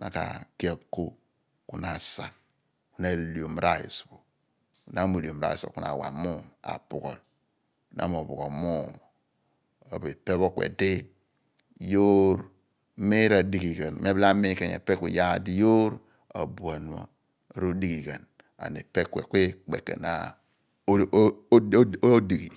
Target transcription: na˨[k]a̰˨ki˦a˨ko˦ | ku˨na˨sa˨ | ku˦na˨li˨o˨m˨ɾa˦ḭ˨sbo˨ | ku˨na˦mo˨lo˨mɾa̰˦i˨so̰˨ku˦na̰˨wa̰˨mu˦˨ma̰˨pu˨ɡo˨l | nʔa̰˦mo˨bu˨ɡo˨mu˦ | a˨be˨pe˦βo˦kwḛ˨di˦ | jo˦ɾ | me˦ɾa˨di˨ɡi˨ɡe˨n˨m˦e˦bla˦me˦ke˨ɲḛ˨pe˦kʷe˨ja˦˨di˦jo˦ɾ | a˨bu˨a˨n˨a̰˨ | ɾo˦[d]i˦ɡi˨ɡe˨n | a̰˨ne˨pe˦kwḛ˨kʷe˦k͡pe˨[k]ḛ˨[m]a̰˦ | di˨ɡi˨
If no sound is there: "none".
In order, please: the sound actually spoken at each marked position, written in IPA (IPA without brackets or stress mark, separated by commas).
k, d, k, n